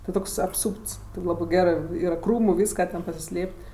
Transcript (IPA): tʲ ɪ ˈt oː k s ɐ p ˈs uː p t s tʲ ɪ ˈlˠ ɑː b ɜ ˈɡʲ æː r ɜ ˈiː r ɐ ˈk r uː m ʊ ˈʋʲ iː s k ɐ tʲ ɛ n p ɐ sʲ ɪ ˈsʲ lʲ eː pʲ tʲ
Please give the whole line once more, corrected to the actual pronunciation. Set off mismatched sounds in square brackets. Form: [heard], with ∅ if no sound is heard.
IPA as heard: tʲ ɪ ˈt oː k s ɐ p ˈs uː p t s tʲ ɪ ˈlˠ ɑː b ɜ ˈɡʲ æː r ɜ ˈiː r ɐ ˈk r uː m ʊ ˈʋʲ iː s k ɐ tʲ ɛ n p ɐ sʲ ɪ ˈsʲ lʲ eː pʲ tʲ